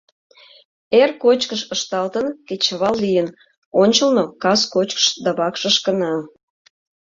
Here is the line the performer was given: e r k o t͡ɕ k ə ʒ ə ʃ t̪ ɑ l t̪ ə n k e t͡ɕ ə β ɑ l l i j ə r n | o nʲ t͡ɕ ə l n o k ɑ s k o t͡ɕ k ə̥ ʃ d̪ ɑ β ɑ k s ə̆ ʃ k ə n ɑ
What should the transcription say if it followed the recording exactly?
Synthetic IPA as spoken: e r k o t͡ɕ k ə ʃ ə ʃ t̪ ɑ l t̪ ə n k e t͡ɕ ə β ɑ l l i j ə n | o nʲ t͡ɕ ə l n o k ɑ s k o t͡ɕ k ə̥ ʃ d̪ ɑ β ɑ k ʃ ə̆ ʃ k ə n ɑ